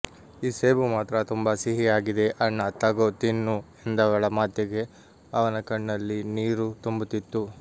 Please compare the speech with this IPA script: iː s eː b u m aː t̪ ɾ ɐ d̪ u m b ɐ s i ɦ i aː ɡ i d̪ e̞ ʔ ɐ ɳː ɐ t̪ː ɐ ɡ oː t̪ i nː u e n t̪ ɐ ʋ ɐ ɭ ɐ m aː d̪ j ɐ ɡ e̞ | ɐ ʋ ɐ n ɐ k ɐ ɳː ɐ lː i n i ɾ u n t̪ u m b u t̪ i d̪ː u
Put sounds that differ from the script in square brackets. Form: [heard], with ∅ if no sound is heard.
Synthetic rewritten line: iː s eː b u m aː t̪ ɾ ɐ [t̪] u m b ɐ s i ɦ i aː ɡ i d̪ e̞ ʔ ɐ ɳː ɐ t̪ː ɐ ɡ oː t̪ i nː u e n [d̪] ɐ ʋ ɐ ɭ ɐ m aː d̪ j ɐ ɡ e̞ | ɐ ʋ ɐ n ɐ k ɐ ɳː ɐ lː i n [iː] ɾ u [∅] t̪ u m b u t̪ i [t̪ː] u

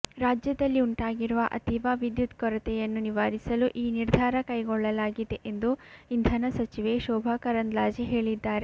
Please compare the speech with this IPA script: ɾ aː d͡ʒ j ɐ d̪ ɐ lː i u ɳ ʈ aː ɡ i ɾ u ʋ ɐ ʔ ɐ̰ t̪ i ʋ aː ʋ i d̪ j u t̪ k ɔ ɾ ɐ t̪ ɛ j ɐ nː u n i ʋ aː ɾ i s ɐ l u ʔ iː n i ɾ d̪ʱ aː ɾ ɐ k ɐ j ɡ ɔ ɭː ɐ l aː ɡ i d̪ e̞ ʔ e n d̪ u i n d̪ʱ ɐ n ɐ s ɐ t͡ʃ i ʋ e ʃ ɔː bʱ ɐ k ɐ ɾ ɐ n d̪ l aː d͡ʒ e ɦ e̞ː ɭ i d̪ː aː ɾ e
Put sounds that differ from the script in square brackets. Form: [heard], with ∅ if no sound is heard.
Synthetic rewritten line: ɾ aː d͡ʒ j ɐ d̪ ɐ lː i u ɳ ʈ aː ɡ i ɾ u ʋ ɐ ʔ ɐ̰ t̪ i ʋ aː ʋ i d̪ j u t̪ k ɔ ɾ ɐ t̪ ɛ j ɐ nː u n i ʋ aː ɾ i s ɐ l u ʔ iː n i ɾ d̪ʱ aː ɾ ɐ k ɐ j ɡ ɔ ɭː ɐ l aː ɡ i d̪ e̞ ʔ e n d̪ u i n d̪ʱ ɐ n ɐ s ɐ t͡ʃ i ʋ e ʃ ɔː bʱ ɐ k ɐ ɾ ɐ n d̪ l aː d͡ʒ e ɦ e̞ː ɭ i d̪ː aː ɾ e

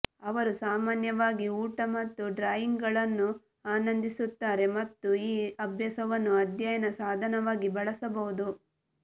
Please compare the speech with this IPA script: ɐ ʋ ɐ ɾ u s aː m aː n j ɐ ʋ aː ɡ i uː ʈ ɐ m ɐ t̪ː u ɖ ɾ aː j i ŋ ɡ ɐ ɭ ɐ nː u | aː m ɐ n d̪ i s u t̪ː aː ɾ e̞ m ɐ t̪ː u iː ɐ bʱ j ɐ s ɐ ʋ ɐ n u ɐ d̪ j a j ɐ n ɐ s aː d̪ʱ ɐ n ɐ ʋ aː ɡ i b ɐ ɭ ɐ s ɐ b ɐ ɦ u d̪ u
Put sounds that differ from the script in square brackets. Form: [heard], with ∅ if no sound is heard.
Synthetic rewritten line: ɐ ʋ ɐ ɾ u s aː m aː n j ɐ ʋ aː ɡ i uː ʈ ɐ m ɐ t̪ː u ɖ ɾ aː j i ŋ ɡ ɐ ɭ ɐ nː u | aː [n] ɐ n d̪ i s u t̪ː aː ɾ e̞ m ɐ t̪ː u iː ɐ bʱ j ɐ s ɐ ʋ ɐ [nː] u ɐ d̪ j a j ɐ n ɐ s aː d̪ʱ ɐ n ɐ ʋ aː ɡ i b ɐ ɭ ɐ s ɐ b ɐ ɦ u d̪ u

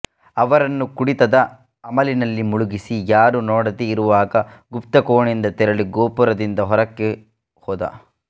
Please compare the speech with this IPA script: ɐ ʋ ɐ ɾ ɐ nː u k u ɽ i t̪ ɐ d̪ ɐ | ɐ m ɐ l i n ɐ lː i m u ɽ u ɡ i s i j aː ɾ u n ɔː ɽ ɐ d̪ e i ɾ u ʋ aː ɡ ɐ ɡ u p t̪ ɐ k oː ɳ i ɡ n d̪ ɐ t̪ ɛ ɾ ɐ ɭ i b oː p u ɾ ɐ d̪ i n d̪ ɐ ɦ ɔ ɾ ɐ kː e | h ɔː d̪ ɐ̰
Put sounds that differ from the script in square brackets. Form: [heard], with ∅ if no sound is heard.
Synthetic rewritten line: ɐ ʋ ɐ ɾ ɐ nː u k u ɽ i t̪ ɐ d̪ ɐ | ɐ m ɐ l i n ɐ lː i m u [ɭ] u ɡ i s i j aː ɾ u n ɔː ɽ ɐ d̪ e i ɾ u ʋ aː ɡ ɐ ɡ u p t̪ ɐ k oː ɳ i [∅] n d̪ ɐ t̪ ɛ ɾ ɐ ɭ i [ɡ] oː p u ɾ ɐ d̪ i n d̪ ɐ ɦ ɔ ɾ ɐ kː e | h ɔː d̪ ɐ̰

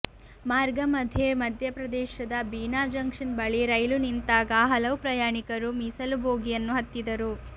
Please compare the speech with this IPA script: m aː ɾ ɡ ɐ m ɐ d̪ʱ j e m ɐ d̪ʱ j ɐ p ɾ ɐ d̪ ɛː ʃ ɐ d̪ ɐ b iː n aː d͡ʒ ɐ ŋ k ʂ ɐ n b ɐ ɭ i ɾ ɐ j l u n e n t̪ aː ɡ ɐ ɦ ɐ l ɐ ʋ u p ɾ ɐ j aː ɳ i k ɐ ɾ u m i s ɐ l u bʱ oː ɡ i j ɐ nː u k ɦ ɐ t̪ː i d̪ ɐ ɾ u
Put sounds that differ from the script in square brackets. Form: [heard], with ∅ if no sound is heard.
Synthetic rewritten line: m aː ɾ ɡ ɐ m ɐ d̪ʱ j e m ɐ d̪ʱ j ɐ p ɾ ɐ d̪ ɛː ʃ ɐ d̪ ɐ b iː n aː d͡ʒ ɐ ŋ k ʂ ɐ n b ɐ ɭ i ɾ ɐ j l u n [i] n t̪ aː ɡ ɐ ɦ ɐ l ɐ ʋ u p ɾ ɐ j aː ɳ i k ɐ ɾ u m i s ɐ l u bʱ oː ɡ i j ɐ nː u [∅] ɦ ɐ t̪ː i d̪ ɐ ɾ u

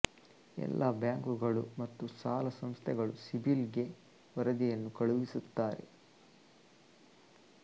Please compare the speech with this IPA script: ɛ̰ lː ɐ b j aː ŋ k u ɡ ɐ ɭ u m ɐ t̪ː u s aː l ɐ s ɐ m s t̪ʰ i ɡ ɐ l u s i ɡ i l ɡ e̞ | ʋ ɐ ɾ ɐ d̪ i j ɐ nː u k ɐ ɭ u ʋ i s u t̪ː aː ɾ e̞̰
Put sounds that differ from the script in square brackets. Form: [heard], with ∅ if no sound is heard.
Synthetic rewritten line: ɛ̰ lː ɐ b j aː ŋ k u ɡ ɐ ɭ u m ɐ t̪ː u s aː l ɐ s ɐ m s t̪ʰ [ɛ] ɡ ɐ [ɭ] u s i [b] i l ɡ e̞ | ʋ ɐ ɾ ɐ d̪ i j ɐ nː u k ɐ ɭ u ʋ i s u t̪ː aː ɾ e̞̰

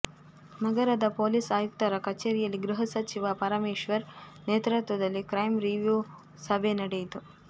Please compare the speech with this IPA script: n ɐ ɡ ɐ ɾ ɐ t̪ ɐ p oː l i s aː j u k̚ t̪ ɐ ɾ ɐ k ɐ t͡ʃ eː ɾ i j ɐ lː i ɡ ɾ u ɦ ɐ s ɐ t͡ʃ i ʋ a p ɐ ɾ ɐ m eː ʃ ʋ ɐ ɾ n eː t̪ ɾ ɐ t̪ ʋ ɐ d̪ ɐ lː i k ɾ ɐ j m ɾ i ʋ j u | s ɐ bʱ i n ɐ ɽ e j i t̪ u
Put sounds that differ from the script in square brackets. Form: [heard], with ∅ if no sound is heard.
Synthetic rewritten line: n ɐ ɡ ɐ ɾ ɐ [d̪] ɐ p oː l i s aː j u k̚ t̪ ɐ ɾ ɐ k ɐ t͡ʃ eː ɾ i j ɐ lː i ɡ ɾ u ɦ ɐ s ɐ t͡ʃ i ʋ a p ɐ ɾ ɐ m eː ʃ ʋ ɐ ɾ n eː t̪ ɾ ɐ t̪ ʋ ɐ d̪ ɐ lː i k ɾ ɐ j m ɾ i ʋ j u | s ɐ bʱ [e] n ɐ ɽ e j i t̪ u

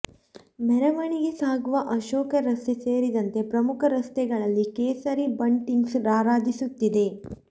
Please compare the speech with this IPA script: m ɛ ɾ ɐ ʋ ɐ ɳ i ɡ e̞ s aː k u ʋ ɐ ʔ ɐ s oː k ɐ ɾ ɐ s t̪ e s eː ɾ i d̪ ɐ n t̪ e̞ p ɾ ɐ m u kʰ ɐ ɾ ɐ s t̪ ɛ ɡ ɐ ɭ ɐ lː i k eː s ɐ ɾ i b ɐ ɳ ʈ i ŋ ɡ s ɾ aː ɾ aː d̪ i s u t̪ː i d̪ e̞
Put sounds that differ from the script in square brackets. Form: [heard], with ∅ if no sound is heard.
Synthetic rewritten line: m ɛ ɾ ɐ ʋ ɐ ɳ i ɡ e̞ s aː [ɡ] u ʋ ɐ ʔ ɐ [ʃ] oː k ɐ ɾ ɐ s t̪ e s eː ɾ i d̪ ɐ n t̪ e̞ p ɾ ɐ m u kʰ ɐ ɾ ɐ s t̪ ɛ ɡ ɐ ɭ ɐ lː i k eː s ɐ ɾ i b ɐ ɳ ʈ i ŋ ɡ s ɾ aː ɾ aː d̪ i s u t̪ː i d̪ e̞

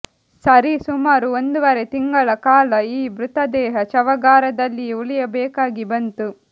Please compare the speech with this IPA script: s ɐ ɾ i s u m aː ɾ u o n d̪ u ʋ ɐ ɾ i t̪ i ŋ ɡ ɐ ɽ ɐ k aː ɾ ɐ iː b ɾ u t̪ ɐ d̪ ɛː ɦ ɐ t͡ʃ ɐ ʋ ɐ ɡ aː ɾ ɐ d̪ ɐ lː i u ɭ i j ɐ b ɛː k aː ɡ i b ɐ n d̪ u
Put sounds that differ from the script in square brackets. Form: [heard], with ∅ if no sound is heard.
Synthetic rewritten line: s ɐ ɾ i s u m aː ɾ u o n d̪ u ʋ ɐ ɾ [e] t̪ i ŋ ɡ ɐ [ɭ] ɐ k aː [l] ɐ iː b ɾ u t̪ ɐ d̪ ɛː ɦ ɐ t͡ʃ ɐ ʋ ɐ ɡ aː ɾ ɐ d̪ ɐ lː i u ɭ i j ɐ b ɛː k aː ɡ i b ɐ n [t̪] u

